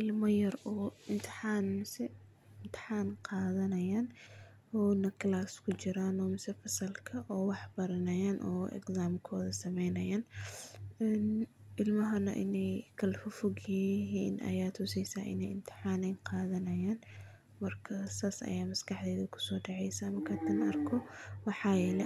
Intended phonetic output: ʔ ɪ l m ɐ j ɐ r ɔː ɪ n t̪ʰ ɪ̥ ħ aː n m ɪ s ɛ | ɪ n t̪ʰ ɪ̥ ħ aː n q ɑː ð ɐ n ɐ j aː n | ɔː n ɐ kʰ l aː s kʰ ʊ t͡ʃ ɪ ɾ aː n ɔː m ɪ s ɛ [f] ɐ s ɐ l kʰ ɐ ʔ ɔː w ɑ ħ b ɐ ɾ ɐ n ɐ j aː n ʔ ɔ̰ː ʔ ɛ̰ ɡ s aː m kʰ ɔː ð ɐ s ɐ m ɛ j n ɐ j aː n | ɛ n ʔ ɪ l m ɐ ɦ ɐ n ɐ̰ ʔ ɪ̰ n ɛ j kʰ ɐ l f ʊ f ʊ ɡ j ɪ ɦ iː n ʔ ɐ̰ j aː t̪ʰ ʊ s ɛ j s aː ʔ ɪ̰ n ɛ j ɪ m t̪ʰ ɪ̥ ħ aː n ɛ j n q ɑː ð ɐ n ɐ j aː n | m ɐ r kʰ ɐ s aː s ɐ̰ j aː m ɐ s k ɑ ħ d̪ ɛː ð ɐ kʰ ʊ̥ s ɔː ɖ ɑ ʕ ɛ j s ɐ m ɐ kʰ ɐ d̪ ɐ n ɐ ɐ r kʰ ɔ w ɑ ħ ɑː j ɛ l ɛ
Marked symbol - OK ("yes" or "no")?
yes